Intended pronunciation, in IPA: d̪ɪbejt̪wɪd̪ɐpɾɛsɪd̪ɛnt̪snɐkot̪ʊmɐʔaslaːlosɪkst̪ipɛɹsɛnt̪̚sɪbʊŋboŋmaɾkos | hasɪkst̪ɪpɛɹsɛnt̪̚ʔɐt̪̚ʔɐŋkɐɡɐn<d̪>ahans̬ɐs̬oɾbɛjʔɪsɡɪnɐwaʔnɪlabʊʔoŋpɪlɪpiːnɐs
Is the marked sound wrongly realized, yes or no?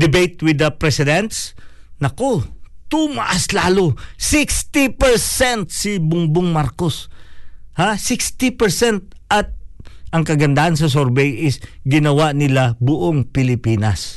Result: no